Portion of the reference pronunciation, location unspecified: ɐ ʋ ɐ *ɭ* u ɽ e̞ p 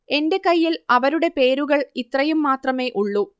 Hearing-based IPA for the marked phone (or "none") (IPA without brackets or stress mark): ɾ